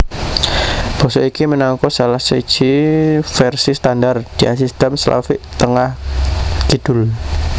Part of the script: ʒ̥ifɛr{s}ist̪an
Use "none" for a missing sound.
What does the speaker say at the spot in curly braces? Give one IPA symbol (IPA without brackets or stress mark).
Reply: s